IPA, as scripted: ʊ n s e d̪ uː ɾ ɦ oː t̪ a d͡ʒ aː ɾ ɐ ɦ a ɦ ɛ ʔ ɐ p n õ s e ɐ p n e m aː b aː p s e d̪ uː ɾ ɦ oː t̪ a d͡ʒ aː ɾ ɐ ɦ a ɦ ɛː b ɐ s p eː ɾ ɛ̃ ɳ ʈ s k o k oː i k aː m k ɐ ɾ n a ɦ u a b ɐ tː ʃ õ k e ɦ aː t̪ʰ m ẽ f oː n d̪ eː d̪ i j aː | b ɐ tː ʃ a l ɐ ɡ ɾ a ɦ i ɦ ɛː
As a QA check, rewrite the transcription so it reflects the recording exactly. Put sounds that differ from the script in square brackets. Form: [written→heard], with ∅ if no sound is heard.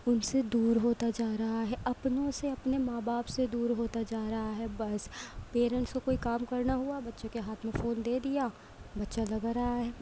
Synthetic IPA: ʊ n s e d̪ uː ɾ ɦ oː t̪ a d͡ʒ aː ɾ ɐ ɦ a ɦ ɛ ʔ ɐ p n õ s e ɐ p n e m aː b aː p s e d̪ uː ɾ ɦ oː t̪ a d͡ʒ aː ɾ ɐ ɦ a ɦ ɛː b ɐ s p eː ɾ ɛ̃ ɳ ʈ s k o k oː i k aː m k ɐ ɾ n a ɦ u a b ɐ tː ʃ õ k e ɦ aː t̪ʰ m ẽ f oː n d̪ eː d̪ i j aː | b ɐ tː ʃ a l ɐ ɡ ɾ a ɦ [i→a] ɦ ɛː